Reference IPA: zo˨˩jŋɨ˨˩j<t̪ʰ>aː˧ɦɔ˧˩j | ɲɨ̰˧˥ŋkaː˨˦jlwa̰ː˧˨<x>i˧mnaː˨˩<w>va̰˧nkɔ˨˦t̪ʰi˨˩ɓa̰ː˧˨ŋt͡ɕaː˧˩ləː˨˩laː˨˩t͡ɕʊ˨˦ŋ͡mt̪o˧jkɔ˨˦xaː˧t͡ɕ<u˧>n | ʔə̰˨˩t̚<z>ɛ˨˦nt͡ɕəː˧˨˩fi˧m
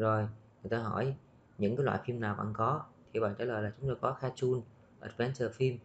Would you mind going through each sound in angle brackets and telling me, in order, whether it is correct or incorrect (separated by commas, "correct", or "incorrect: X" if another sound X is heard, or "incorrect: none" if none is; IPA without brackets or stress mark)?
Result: incorrect: t̪, incorrect: f, correct, correct, incorrect: v